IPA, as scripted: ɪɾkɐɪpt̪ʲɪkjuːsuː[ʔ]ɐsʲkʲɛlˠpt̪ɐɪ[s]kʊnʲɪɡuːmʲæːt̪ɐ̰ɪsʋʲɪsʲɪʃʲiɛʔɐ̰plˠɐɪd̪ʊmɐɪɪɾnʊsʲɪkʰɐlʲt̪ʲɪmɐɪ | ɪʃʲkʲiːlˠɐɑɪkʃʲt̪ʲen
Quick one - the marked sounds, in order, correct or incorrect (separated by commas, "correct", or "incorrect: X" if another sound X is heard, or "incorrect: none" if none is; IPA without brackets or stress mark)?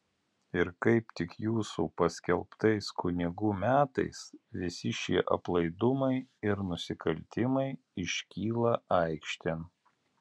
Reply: incorrect: p, correct